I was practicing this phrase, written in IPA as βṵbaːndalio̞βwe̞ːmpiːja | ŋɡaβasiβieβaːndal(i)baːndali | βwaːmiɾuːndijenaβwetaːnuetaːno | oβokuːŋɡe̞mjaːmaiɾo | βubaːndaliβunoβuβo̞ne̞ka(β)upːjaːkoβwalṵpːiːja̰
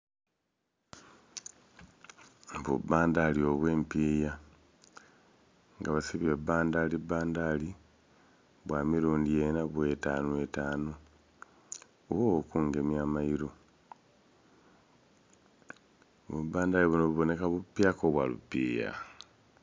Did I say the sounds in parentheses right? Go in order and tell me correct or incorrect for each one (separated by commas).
correct, correct